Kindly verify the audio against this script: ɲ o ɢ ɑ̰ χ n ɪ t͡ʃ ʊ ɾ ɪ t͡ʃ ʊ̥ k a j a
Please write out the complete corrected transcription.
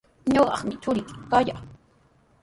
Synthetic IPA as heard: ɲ o ɢ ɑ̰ χ m ɪ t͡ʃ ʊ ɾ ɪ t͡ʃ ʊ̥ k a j a